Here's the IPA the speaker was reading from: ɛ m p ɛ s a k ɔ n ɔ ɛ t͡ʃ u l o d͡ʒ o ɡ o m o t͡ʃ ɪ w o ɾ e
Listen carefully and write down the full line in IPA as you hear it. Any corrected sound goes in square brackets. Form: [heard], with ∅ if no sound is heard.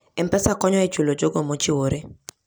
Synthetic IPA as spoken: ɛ m p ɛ s a k ɔ [ɲ] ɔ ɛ t͡ʃ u l o d͡ʒ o ɡ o m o t͡ʃ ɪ w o ɾ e